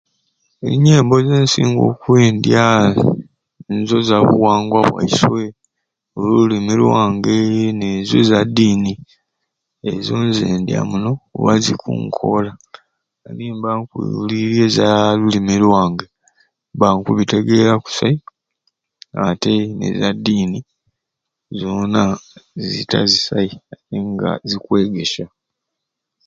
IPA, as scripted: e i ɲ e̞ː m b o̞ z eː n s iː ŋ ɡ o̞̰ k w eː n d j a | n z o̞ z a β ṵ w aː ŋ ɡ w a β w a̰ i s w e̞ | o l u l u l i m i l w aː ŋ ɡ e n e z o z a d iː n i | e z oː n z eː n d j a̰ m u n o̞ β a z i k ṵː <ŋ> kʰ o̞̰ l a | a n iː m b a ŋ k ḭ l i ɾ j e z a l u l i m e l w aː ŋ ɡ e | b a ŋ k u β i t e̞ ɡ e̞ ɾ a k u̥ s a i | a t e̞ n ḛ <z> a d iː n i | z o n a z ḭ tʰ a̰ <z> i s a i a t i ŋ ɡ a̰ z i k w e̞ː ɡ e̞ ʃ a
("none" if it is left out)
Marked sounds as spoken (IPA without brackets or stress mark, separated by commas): ŋ, z, z